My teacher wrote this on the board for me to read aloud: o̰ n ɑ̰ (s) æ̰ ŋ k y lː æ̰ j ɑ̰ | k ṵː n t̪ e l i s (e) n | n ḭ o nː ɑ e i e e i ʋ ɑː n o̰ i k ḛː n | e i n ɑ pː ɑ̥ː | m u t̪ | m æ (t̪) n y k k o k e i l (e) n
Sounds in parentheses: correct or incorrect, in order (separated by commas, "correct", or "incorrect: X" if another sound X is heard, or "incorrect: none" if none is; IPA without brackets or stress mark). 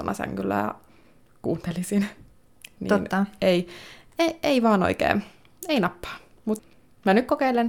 correct, incorrect: i, incorrect: none, correct